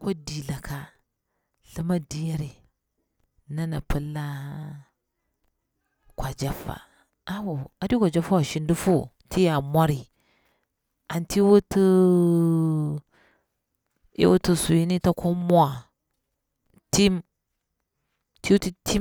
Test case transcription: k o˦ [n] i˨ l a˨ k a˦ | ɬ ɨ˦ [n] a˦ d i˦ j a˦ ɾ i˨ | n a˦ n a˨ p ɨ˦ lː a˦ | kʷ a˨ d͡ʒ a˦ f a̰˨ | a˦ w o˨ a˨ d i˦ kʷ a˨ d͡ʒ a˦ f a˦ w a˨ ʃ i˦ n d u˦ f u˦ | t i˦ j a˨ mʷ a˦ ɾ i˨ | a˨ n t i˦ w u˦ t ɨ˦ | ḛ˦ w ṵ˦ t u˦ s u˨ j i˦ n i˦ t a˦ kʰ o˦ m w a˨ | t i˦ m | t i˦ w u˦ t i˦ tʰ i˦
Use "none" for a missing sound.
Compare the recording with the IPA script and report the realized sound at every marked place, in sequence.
d, m

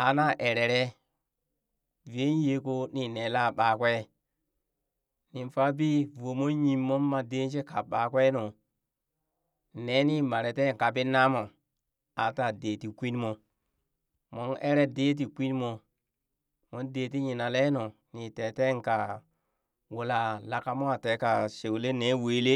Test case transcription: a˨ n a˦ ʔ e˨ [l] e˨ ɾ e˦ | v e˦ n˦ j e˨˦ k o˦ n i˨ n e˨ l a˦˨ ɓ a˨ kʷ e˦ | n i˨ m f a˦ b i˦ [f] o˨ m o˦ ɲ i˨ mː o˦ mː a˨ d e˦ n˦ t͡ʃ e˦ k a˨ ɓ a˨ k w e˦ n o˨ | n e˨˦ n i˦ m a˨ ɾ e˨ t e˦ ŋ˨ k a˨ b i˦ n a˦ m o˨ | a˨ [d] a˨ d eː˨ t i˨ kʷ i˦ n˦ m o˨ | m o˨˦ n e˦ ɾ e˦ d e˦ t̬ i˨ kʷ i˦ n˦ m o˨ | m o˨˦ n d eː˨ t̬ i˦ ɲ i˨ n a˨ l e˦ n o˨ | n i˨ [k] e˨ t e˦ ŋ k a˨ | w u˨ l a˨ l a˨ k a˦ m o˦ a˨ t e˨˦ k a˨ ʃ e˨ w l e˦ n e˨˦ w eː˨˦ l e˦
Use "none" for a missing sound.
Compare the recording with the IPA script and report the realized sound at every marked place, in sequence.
ɾ, v, t, t

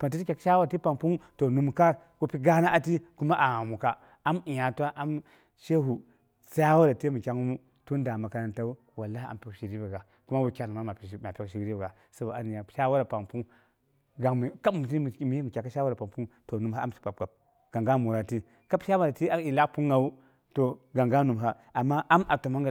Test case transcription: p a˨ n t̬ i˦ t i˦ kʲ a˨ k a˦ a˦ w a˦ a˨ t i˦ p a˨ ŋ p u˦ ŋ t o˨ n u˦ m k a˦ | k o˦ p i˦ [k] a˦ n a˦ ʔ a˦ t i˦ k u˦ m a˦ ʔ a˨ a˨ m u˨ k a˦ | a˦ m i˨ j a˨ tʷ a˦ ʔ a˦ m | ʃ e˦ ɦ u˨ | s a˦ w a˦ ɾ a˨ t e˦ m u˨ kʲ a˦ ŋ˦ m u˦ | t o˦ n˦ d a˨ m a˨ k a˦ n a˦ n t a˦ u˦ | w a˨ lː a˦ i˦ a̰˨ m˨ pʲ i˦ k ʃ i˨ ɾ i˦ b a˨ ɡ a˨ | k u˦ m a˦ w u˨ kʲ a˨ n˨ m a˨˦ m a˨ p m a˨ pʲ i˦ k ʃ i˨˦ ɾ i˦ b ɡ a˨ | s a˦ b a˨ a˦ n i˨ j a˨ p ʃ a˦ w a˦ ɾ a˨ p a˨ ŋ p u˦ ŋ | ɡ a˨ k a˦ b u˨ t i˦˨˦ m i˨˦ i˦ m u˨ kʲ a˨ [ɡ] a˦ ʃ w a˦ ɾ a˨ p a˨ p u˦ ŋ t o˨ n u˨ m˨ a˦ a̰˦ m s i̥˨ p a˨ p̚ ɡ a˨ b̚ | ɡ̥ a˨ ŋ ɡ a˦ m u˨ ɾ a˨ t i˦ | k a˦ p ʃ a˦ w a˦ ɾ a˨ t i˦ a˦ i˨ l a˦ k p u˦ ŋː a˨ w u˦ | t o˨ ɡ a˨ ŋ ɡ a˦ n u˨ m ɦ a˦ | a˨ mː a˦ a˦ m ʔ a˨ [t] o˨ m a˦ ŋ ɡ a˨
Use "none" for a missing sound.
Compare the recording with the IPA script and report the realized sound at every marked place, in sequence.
ɡ, k, t

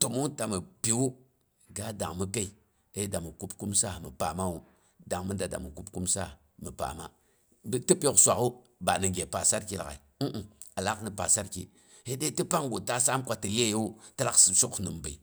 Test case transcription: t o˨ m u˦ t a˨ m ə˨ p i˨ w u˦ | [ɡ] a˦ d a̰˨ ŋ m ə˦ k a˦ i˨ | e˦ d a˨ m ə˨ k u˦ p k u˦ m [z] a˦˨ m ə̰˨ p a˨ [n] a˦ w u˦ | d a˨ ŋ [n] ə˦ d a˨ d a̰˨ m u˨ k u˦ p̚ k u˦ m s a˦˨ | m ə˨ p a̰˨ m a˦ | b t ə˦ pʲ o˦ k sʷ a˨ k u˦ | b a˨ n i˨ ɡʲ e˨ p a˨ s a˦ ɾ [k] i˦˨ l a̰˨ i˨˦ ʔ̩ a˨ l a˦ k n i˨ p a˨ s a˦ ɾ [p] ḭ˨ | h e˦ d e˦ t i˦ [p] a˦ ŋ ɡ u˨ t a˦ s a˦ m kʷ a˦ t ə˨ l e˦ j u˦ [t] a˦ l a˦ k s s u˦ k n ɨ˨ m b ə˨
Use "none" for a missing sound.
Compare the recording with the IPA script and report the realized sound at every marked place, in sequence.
ɡ, s, m, m, k, k, p, t

